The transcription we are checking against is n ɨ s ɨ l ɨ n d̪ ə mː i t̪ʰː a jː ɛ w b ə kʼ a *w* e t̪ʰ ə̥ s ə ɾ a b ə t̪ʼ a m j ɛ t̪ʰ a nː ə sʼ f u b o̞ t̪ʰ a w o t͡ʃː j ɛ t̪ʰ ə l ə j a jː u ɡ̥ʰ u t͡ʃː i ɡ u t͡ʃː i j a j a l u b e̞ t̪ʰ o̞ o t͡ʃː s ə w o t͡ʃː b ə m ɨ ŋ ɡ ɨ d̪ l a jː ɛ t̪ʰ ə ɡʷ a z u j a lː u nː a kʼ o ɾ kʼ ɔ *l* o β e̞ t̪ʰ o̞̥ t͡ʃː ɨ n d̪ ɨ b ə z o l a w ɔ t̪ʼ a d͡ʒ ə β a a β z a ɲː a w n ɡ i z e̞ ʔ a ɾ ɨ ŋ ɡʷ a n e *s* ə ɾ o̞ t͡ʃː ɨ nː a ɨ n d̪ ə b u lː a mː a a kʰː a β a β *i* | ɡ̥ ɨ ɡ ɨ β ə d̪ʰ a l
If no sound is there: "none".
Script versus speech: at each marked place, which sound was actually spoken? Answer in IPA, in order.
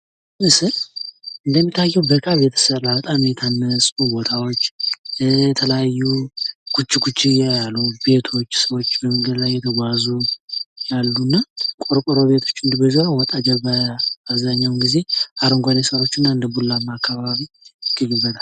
β, ɾ, s, i

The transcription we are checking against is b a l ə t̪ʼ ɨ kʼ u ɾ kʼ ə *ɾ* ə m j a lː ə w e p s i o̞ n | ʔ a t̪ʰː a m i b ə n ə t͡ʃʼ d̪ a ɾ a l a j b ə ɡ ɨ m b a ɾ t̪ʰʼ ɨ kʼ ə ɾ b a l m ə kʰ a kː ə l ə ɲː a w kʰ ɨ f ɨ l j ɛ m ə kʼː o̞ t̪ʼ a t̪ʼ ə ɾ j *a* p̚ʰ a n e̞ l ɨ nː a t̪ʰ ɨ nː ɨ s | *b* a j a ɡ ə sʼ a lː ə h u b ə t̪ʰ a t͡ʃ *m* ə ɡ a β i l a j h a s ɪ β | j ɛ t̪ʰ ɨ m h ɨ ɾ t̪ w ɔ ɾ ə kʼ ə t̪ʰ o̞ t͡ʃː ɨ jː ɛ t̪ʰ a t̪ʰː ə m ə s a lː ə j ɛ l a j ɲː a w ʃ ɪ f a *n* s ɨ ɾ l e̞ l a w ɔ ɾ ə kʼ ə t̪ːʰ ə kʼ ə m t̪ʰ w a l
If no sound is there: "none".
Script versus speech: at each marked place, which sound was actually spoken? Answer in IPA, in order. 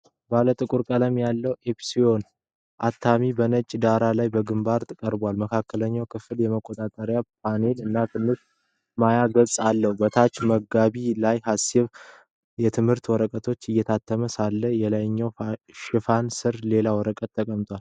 l, a, m, m, n

